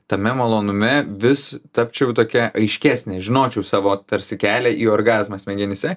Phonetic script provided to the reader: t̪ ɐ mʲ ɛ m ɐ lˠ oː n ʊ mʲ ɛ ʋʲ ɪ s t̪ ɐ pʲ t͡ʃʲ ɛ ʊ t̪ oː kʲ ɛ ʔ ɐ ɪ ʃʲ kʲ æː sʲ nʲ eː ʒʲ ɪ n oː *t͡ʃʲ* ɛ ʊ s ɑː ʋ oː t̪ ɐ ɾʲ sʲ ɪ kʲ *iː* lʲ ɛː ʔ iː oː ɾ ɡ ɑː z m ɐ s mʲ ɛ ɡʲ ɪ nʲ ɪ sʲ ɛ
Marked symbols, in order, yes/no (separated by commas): yes, no